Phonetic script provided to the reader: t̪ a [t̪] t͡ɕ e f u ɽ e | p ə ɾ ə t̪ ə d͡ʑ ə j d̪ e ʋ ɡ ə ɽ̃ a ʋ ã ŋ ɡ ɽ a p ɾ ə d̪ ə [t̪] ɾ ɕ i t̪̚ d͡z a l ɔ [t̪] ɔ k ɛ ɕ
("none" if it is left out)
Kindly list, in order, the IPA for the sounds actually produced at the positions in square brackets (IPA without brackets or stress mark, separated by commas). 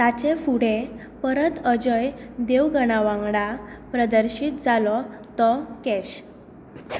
none, none, t̪